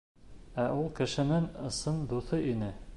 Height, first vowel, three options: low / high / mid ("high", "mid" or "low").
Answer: low